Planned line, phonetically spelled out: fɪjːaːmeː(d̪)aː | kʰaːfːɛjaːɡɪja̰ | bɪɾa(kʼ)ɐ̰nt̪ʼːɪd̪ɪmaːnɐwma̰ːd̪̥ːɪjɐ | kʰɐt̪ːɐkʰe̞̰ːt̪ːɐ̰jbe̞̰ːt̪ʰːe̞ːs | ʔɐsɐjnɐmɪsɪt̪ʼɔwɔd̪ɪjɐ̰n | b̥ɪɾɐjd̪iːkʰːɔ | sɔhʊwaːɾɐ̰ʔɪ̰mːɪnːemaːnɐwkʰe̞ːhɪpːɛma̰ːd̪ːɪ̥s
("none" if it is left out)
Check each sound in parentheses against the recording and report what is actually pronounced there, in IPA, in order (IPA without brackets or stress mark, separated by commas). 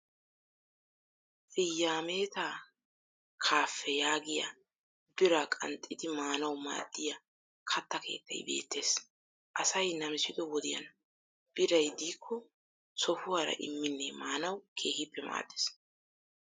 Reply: t̪, kʼ